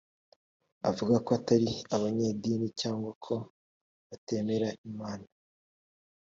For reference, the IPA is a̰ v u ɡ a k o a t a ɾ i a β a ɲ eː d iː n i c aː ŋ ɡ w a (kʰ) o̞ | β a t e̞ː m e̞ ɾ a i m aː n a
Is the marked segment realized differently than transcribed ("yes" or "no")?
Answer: no